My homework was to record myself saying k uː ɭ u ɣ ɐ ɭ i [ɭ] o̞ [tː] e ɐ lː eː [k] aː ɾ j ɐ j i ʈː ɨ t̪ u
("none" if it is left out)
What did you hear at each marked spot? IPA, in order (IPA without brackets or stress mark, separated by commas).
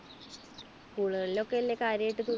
l, kː, k